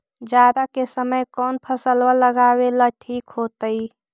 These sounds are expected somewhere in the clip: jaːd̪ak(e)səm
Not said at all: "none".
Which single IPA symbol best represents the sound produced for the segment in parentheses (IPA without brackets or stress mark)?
e